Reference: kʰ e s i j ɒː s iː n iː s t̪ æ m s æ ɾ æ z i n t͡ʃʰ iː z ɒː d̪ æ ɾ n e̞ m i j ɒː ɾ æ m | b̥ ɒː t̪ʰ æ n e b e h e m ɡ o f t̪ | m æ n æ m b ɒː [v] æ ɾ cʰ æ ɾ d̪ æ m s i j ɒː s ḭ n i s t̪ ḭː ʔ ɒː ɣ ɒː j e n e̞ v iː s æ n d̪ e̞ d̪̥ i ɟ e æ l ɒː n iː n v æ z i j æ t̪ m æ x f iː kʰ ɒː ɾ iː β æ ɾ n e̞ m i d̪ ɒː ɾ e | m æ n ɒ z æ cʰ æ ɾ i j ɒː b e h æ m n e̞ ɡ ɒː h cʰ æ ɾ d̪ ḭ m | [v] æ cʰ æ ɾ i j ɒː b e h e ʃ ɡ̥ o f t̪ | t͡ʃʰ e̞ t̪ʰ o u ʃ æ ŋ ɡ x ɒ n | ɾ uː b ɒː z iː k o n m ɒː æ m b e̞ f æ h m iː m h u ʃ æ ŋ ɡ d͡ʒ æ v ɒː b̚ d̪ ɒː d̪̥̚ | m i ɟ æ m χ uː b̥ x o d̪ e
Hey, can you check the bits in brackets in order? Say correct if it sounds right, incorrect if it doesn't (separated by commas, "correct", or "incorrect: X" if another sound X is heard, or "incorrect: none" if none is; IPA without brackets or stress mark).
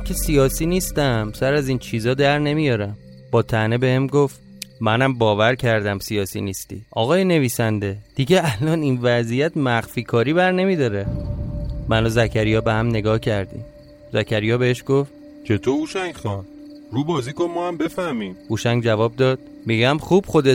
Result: correct, incorrect: z